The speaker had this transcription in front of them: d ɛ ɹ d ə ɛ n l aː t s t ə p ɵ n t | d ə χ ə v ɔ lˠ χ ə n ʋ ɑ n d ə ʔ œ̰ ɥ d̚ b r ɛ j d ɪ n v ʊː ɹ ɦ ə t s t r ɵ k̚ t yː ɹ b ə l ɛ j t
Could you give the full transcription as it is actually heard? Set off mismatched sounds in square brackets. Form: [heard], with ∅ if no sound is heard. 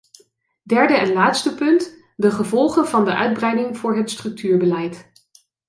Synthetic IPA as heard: d ɛ ɹ d ə ɛ n l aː t s t ə p ɵ n t | d ə χ ə v ɔ lˠ χ ə n [v] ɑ n d ə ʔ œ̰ ɥ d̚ b r ɛ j d ɪ [ŋ] v ʊː ɹ ɦ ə t s t r ɵ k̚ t yː ɹ b ə l ɛ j t